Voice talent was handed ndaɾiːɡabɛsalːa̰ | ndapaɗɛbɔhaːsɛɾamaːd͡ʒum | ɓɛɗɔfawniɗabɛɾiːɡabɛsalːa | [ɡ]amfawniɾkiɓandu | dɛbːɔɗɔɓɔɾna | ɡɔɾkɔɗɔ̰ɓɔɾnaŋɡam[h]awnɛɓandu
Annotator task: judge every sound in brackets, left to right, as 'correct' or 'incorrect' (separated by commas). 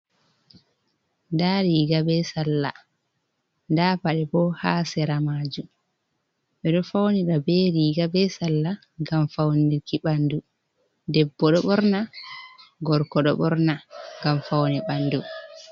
correct, incorrect